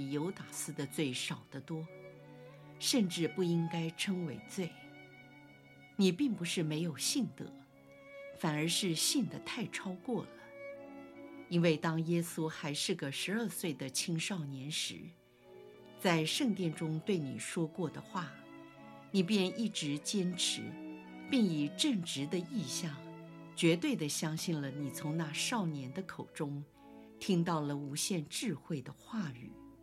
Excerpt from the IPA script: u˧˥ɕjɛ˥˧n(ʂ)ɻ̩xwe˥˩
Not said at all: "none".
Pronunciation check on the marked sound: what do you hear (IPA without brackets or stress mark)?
ʈ͡ʂ